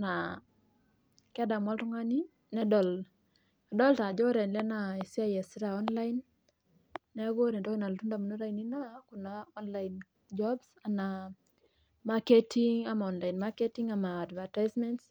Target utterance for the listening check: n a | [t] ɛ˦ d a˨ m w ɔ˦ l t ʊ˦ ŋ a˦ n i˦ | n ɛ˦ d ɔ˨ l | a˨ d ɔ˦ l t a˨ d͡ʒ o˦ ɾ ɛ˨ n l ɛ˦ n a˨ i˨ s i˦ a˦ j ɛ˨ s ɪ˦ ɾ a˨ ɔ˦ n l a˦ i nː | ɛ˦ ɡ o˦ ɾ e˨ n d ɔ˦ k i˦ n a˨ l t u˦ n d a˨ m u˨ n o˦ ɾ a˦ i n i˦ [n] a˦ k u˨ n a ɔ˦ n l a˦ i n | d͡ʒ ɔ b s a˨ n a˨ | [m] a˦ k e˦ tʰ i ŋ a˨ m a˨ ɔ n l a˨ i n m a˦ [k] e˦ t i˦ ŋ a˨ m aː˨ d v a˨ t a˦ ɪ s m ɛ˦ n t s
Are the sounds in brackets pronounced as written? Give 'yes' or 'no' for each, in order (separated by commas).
no, yes, yes, yes